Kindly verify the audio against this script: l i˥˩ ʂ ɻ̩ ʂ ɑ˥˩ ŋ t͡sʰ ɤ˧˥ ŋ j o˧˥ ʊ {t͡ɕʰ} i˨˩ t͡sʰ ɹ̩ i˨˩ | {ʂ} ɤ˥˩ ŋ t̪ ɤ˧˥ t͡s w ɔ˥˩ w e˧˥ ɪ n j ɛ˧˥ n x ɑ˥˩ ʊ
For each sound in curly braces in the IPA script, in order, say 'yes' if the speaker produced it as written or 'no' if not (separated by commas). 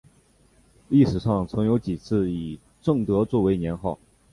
no, no